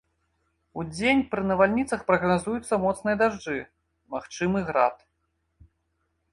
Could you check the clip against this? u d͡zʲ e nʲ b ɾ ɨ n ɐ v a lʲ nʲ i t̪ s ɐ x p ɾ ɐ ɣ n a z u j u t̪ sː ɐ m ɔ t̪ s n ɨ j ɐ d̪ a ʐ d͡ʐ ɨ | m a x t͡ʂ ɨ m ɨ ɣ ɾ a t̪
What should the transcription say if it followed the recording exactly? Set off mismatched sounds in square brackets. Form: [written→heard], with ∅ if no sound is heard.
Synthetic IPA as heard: u d͡zʲ e nʲ [b→p] ɾ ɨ n ɐ v a lʲ nʲ i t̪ s ɐ x p ɾ ɐ ɣ n a z u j u t̪ sː ɐ m ɔ t̪ s n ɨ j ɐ d̪ a ʐ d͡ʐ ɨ | m a x t͡ʂ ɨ m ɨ ɣ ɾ a t̪